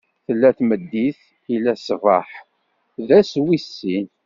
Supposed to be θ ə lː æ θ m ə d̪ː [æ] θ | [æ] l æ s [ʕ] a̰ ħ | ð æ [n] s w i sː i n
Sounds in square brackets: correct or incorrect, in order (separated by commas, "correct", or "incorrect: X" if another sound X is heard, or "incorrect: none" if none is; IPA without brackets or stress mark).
incorrect: i, incorrect: i, incorrect: v, incorrect: none